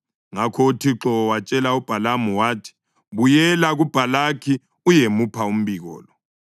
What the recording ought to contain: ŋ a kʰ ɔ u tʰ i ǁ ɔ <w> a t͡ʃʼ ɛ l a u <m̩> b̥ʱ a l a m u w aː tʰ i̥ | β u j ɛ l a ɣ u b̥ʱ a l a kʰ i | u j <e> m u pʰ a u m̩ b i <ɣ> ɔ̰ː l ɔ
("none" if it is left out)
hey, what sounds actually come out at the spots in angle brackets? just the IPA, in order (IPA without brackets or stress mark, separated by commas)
w, none, e, ɣ